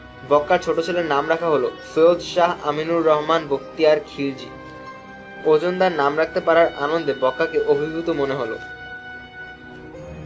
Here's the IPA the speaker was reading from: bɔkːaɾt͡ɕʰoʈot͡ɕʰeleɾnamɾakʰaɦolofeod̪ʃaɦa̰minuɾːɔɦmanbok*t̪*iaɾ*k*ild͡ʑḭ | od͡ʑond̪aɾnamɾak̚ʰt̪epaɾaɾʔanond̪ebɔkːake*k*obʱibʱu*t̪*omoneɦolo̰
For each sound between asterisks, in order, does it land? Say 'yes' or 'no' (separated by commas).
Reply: yes, no, no, yes